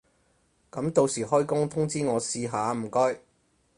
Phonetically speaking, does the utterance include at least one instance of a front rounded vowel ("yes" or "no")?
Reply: no